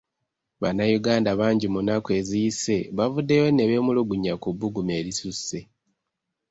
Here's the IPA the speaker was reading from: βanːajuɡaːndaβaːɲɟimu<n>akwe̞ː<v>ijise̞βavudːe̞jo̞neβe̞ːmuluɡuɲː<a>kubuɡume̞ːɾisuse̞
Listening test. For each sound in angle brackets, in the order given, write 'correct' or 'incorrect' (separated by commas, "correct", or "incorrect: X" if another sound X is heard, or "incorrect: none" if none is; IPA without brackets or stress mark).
correct, incorrect: z, correct